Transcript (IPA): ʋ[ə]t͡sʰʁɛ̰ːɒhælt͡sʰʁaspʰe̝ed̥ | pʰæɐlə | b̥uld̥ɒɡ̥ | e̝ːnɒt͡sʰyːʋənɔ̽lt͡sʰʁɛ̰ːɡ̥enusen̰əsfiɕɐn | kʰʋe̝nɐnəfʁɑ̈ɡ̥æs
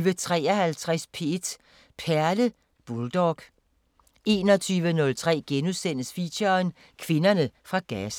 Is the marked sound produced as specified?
yes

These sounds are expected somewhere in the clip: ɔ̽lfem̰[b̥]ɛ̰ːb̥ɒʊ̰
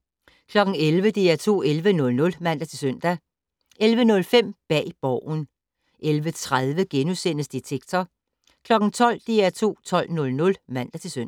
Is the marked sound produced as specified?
yes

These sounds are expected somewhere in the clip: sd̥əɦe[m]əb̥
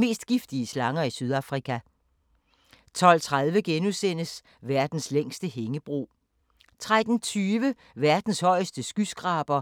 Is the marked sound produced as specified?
no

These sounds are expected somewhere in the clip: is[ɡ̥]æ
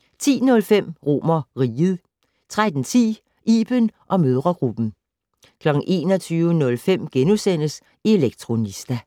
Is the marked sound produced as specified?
no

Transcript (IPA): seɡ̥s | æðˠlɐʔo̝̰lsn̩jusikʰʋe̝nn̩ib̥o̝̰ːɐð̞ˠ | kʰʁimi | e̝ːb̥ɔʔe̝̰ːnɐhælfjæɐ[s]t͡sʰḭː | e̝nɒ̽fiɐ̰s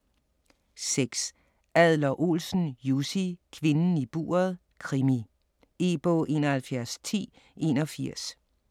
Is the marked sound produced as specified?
yes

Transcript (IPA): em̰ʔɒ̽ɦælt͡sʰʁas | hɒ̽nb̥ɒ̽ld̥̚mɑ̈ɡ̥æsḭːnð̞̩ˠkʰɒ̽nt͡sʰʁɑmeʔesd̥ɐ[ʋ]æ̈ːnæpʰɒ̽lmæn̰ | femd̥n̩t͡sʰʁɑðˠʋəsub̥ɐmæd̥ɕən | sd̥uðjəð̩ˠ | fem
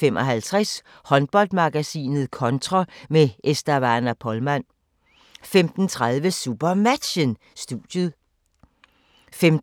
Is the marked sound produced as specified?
yes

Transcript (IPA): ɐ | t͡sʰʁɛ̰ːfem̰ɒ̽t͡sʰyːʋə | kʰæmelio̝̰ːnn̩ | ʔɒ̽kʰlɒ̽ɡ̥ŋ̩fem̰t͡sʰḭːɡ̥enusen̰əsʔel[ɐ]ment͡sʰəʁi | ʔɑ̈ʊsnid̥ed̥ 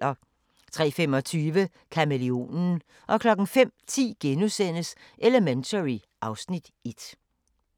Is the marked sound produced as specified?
no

